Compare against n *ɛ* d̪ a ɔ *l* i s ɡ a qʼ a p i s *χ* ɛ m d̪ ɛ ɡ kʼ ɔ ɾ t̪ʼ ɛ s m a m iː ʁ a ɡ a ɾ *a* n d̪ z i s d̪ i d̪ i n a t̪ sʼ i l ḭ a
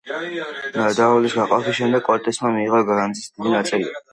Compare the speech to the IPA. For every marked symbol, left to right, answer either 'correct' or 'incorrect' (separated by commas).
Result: incorrect, correct, incorrect, correct